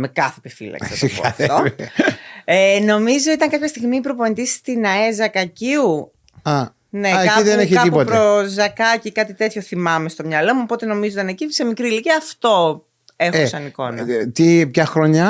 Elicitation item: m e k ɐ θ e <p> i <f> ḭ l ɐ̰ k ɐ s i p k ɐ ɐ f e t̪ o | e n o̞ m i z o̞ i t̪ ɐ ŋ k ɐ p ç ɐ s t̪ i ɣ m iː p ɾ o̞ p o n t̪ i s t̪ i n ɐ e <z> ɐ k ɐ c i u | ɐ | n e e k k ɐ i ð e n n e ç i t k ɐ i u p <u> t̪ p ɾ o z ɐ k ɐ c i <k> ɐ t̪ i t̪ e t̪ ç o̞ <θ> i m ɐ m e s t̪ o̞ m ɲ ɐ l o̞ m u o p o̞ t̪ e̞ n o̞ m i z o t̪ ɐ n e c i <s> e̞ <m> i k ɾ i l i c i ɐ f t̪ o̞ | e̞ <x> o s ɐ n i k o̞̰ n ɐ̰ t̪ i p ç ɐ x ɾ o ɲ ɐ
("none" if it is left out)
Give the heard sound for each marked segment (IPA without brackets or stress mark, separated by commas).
p, f, z, o, k, θ, s, m, x